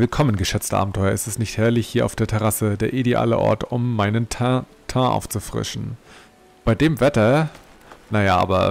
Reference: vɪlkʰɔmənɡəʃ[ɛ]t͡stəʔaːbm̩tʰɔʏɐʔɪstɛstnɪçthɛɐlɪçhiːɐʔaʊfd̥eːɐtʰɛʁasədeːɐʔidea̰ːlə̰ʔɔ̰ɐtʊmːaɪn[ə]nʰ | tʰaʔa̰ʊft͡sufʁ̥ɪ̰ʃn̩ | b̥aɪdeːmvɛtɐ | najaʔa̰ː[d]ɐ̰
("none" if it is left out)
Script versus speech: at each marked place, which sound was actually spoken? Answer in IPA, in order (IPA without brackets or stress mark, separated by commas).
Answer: ɛ, ə, b